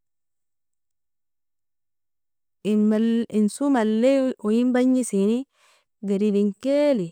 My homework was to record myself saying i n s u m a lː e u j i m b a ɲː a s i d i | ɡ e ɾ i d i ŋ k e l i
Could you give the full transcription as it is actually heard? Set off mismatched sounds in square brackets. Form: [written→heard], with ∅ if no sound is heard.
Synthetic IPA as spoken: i n s u m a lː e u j i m b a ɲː [a→i] s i [d→n] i | ɡ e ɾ i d i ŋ k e l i